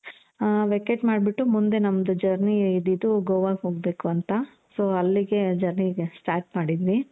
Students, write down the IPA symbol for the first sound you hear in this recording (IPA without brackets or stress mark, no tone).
ʋ